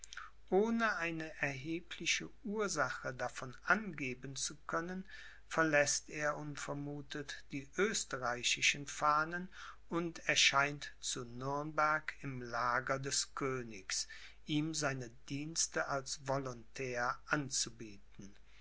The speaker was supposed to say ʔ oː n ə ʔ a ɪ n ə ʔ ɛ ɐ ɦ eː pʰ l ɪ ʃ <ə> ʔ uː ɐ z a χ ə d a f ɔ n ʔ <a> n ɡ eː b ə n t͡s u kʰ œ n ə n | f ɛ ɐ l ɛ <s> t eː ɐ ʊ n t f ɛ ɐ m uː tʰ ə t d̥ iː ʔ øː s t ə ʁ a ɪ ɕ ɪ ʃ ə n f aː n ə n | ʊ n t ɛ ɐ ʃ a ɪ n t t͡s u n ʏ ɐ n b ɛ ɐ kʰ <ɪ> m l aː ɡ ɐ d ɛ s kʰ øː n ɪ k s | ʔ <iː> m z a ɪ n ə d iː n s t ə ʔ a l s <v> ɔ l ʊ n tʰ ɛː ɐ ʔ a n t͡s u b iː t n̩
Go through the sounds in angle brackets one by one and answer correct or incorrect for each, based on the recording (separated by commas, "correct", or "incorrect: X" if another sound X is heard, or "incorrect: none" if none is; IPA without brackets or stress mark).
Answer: correct, correct, correct, correct, correct, correct